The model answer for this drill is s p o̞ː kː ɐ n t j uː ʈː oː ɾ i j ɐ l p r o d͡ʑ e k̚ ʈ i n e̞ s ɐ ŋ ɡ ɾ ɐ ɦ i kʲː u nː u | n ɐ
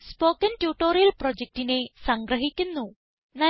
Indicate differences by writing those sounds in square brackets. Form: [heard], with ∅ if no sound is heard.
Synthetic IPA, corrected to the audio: s p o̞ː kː ɐ n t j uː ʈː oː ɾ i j ɐ l p r o d͡ʑ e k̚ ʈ i n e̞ s ɐ ŋ ɡ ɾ ɐ ɦ i kʲː u nː u | n ɐ

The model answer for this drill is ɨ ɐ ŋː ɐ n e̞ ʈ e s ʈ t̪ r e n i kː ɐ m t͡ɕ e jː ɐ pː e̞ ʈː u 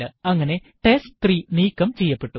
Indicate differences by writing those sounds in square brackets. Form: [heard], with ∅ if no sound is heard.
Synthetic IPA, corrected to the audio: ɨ ɐ ŋː ɐ n e̞ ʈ e s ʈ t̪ r [i] n [iː] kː ɐ m t͡ɕ e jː ɐ pː e̞ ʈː u

